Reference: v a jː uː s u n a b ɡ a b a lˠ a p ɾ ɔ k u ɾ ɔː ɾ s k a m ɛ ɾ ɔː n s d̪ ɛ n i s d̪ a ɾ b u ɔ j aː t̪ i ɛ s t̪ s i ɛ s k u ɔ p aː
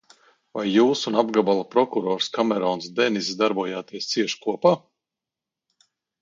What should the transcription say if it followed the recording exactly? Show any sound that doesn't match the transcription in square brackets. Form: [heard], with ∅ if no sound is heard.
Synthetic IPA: v a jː uː s u n a b ɡ a b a lˠ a p ɾ ɔ k u ɾ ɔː ɾ s k a m ɛ ɾ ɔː n s d̪ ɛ n i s d̪ a ɾ b u ɔ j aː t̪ i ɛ s t̪ s i ɛ [ʃ] k u ɔ p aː